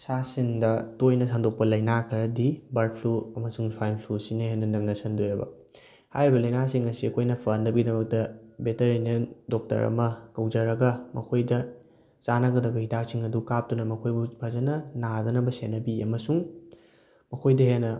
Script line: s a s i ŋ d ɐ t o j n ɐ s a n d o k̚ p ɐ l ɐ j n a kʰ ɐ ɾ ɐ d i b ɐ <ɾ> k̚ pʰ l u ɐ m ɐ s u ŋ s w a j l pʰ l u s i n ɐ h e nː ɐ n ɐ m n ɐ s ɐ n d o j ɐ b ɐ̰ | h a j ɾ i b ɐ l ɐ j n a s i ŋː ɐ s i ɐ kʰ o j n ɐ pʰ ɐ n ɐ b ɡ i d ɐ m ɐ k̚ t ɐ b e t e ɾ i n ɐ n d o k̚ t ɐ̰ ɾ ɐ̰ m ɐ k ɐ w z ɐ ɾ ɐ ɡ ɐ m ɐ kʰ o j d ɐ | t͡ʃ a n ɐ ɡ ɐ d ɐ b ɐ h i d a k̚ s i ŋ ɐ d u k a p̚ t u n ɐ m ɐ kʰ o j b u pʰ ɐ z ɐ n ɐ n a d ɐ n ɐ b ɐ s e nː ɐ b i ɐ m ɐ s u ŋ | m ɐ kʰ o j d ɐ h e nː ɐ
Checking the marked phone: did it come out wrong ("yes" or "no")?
no